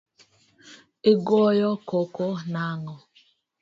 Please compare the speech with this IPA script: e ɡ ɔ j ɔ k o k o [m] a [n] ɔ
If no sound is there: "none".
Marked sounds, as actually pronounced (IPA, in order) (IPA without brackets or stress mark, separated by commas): n, ŋ